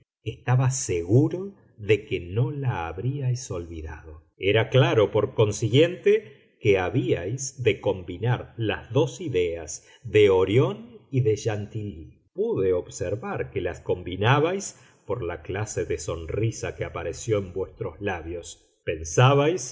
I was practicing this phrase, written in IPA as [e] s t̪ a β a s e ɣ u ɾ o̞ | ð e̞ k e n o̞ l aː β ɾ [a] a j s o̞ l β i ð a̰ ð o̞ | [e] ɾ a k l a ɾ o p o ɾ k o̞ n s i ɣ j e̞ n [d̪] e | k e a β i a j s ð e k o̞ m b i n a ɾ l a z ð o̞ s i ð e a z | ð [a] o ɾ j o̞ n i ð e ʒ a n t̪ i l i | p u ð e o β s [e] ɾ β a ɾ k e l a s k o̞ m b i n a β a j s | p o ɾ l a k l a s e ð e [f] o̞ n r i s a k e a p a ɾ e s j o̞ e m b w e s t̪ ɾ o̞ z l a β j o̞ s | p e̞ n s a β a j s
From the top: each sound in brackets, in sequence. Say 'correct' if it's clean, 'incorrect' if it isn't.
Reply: correct, incorrect: i, correct, incorrect: t̪, incorrect: e, correct, incorrect: s

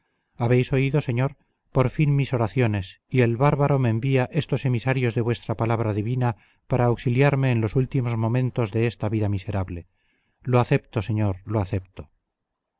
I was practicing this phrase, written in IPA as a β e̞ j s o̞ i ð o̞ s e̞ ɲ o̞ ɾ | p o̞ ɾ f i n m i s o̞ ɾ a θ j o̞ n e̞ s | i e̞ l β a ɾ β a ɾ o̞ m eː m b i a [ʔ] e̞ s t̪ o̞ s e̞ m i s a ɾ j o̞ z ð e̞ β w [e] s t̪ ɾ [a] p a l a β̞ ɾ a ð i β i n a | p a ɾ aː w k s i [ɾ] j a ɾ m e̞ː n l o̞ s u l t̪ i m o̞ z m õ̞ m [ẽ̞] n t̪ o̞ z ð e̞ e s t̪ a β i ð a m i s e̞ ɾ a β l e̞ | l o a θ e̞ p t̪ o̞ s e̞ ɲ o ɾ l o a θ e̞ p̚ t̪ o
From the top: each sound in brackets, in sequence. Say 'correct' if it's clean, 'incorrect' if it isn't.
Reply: correct, correct, correct, incorrect: l, correct

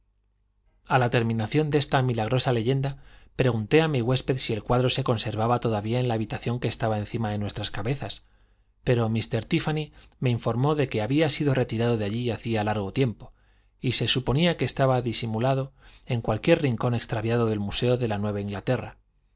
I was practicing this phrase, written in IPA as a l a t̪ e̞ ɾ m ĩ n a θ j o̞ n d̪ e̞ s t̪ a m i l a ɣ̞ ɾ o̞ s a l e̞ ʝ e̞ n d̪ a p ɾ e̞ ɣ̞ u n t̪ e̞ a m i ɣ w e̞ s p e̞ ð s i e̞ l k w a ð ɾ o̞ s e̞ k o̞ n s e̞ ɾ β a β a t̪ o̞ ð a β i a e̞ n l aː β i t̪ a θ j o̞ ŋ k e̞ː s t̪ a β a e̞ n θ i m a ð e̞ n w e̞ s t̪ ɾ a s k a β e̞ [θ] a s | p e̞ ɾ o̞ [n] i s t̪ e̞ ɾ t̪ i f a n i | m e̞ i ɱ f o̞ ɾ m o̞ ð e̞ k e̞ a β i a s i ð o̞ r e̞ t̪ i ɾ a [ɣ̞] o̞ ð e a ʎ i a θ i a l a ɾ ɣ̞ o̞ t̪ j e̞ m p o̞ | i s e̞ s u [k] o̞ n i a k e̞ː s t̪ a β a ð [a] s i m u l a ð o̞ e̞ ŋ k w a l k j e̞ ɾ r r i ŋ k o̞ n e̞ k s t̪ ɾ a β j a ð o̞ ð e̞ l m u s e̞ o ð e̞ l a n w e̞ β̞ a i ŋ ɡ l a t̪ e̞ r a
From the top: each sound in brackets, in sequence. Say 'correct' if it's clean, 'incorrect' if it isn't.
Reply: correct, incorrect: m, incorrect: ð̞, incorrect: p, incorrect: i

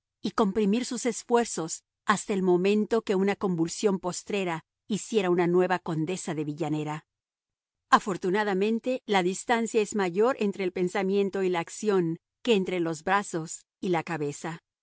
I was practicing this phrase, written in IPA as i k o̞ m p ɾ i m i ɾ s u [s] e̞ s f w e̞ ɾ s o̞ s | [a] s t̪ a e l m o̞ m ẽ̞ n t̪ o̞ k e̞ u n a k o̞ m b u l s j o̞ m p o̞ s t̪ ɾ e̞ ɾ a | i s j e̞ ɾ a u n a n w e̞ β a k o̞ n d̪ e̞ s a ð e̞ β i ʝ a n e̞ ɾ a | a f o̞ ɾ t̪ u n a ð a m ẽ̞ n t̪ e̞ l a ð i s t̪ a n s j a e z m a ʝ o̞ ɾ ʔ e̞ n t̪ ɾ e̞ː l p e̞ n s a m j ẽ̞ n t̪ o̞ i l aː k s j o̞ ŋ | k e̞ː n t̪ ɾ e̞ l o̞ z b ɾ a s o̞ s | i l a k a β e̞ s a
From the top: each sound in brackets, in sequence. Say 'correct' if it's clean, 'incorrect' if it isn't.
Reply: correct, correct

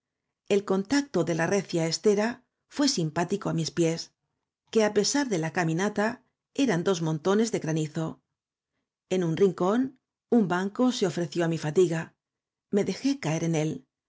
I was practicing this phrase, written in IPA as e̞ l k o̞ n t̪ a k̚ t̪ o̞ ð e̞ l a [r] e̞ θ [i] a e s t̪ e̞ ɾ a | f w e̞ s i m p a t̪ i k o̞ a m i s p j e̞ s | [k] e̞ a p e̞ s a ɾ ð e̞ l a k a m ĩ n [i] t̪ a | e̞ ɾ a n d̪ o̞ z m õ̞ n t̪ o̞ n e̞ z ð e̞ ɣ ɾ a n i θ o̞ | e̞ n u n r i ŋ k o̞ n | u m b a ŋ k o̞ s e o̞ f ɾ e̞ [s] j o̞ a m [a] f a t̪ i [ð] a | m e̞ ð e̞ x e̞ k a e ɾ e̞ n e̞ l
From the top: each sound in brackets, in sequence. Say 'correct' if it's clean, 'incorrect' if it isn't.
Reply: correct, incorrect: j, correct, incorrect: a, incorrect: θ, incorrect: i, incorrect: ɣ

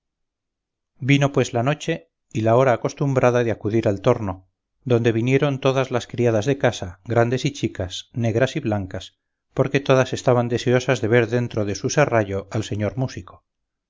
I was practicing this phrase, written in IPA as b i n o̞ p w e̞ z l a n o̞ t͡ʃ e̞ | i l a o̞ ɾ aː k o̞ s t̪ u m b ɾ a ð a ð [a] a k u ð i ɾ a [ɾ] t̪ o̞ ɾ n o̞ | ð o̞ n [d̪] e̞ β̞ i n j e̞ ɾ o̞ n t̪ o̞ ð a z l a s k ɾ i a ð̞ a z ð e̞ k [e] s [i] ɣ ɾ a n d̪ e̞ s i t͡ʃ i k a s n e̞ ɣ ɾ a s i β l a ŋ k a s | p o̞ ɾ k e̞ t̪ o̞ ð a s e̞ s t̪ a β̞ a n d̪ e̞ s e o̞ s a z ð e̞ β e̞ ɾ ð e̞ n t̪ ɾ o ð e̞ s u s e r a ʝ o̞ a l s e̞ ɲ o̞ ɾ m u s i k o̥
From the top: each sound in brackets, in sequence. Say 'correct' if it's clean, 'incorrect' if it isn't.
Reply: incorrect: e, incorrect: l, correct, incorrect: a, incorrect: a

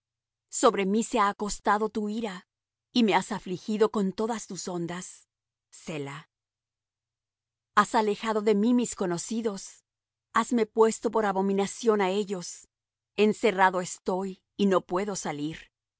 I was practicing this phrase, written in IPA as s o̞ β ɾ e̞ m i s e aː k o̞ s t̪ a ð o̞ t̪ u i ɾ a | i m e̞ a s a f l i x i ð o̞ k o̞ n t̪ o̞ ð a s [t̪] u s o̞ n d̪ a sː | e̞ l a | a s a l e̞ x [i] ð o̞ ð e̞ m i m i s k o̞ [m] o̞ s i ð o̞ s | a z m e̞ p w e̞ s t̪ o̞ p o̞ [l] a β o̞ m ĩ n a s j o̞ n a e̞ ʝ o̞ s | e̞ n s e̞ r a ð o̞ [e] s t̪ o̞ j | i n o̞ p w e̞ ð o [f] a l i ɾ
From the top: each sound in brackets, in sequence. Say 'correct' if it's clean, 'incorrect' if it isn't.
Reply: correct, incorrect: a, incorrect: n, incorrect: ɾ, correct, incorrect: s

